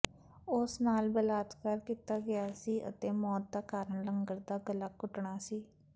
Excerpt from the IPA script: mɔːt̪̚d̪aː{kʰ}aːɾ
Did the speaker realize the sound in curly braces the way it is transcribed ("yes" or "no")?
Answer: no